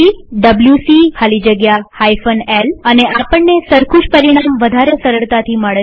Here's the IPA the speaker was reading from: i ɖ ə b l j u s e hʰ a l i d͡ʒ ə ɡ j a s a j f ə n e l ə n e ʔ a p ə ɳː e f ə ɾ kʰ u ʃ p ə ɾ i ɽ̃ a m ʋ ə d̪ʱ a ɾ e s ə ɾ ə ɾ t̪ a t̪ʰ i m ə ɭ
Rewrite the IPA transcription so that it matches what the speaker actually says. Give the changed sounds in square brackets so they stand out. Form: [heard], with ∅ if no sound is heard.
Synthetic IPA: i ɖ ə b l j u s [i] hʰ a l i d͡ʒ ə ɡ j a [h] a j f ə n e l ə n e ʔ a p ə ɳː e [s] ə ɾ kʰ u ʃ p ə ɾ i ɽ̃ a m ʋ ə d̪ʱ a ɾ e s ə ɾ ə [ɭ] t̪ a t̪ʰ i m ə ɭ